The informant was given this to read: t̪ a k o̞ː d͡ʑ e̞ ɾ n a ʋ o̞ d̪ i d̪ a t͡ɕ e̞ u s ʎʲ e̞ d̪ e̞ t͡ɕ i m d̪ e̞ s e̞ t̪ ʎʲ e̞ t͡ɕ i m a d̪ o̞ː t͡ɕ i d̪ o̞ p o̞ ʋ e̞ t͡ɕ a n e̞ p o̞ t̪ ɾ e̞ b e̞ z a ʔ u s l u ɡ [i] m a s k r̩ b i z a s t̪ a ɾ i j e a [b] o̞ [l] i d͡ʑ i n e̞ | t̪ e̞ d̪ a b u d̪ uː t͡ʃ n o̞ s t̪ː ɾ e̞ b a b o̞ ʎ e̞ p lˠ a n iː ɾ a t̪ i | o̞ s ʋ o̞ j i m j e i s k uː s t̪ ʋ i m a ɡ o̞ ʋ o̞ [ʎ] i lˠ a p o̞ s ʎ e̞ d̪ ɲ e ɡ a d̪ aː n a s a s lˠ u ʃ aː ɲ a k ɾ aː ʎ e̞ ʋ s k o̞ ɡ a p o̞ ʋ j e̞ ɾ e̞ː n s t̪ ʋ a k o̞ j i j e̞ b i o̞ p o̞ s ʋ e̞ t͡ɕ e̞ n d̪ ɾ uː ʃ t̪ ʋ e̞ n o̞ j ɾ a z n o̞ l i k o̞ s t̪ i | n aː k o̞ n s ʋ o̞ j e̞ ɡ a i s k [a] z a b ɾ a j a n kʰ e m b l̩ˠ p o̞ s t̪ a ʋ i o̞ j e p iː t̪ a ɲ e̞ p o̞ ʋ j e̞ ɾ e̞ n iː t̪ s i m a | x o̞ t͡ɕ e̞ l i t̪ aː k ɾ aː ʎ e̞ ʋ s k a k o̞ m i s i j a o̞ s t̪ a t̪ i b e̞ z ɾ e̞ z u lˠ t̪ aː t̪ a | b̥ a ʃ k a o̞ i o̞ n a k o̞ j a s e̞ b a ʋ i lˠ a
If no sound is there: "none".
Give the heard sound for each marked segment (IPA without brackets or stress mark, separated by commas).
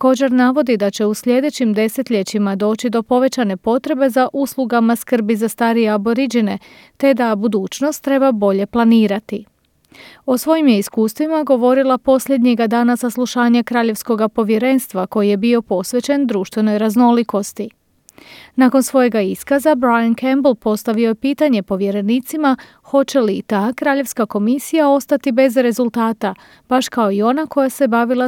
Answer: a, b, ɾ, ɾ, a